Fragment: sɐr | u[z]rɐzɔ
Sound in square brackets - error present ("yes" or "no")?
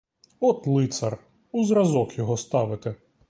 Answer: no